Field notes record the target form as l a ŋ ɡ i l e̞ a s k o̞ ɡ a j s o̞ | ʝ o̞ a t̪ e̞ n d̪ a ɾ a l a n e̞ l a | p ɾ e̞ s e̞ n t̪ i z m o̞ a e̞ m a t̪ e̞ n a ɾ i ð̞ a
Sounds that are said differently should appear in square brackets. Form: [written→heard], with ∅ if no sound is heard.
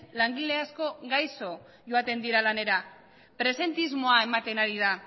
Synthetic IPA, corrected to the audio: l a ŋ ɡ i l e̞ a s k o̞ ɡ a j s o̞ | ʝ o̞ a t̪ e̞ n d̪ [a→i] ɾ a l a n e̞ [l→ɾ] a | p ɾ e̞ s e̞ n t̪ i z m o̞ a e̞ m a t̪ e̞ n a ɾ i ð̞ a